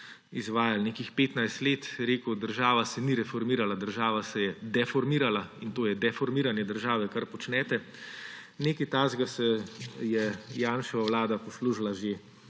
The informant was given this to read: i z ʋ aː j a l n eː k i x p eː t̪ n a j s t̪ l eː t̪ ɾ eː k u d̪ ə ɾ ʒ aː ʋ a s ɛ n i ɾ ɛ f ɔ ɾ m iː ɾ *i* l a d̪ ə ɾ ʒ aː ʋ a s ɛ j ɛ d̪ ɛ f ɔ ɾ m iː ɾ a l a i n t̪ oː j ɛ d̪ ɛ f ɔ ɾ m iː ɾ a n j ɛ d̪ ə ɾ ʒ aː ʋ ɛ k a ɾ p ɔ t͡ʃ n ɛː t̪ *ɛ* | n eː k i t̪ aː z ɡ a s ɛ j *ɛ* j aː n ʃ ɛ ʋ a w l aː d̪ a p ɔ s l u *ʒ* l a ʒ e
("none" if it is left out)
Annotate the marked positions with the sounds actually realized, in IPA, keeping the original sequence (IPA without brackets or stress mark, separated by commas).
a, ɛ, ɛ, ʒ